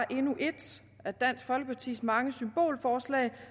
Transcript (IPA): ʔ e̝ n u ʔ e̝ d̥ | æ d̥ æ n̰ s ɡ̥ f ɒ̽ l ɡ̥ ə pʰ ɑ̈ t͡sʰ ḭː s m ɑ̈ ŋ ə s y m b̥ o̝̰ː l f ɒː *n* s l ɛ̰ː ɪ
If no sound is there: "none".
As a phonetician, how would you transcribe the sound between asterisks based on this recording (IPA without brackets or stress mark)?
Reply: none